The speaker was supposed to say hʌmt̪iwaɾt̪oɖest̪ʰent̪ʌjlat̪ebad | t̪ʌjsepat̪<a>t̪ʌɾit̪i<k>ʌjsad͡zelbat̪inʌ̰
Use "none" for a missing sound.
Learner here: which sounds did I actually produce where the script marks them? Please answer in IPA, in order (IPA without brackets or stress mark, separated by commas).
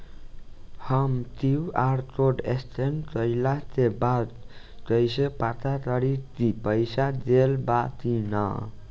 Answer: a, p